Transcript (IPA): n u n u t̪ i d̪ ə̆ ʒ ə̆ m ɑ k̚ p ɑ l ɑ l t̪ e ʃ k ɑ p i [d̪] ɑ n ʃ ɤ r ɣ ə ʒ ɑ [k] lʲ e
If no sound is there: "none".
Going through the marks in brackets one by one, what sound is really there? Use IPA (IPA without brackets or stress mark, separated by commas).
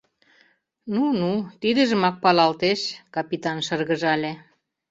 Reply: t̪, none